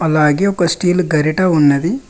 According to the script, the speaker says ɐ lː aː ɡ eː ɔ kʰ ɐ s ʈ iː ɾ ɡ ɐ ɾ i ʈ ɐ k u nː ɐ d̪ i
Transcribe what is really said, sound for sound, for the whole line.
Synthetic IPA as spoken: ɐ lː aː ɡ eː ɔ k ɐ s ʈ iː l ɡ ɐ ɾ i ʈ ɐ u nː ɐ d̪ i